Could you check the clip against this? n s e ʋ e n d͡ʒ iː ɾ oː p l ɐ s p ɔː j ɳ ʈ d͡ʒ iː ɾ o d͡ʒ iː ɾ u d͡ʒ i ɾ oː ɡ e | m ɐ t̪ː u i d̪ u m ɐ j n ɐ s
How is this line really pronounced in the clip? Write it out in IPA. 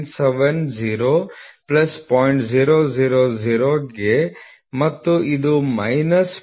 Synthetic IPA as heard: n s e ʋ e n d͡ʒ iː ɾ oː p l ɐ s p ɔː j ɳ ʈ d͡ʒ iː ɾ o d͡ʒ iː ɾ o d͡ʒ i ɾ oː ɡ e | m ɐ t̪ː u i d̪ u m ɐ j n ɐ s